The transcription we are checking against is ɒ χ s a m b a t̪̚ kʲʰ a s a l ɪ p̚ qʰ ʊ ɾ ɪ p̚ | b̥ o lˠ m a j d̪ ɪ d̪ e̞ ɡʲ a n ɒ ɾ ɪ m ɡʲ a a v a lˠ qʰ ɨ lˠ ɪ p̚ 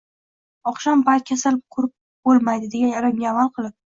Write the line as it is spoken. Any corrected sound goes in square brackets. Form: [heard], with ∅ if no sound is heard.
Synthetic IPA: ɒ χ [ʃ] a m b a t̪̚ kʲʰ a s a l ɪ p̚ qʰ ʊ ɾ ɪ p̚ | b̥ o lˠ m a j d̪ ɪ d̪ e̞ ɡʲ a n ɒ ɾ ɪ m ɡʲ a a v a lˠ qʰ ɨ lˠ ɪ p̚